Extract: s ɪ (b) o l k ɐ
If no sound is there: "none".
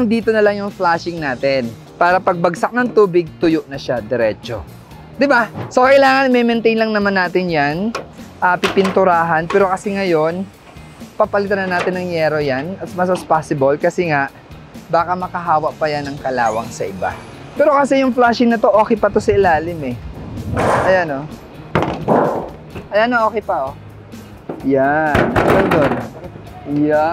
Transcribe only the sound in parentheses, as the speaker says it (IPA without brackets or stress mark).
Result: b